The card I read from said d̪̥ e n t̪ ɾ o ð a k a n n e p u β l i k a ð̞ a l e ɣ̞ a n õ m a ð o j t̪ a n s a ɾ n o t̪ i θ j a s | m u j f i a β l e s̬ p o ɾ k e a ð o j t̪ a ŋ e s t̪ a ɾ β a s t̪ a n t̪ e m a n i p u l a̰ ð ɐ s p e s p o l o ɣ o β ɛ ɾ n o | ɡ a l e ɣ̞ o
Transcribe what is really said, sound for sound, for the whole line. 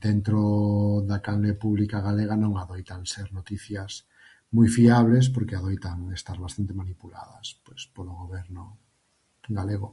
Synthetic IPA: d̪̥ e n t̪ ɾ o ð a k a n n e p u β l i k a ɣ̞ a l e ɣ̞ a n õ ŋ a ð o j t̪ a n s e ɾ n o t̪ i θ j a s | m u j f i a β l e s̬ p o ɾ k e a ð o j t̪ a ŋ e s t̪ a ɾ β a s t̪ a n t̪ e m a n i p u l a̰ ð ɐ s p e s p o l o ɣ o β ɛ ɾ n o | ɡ a l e ɣ̞ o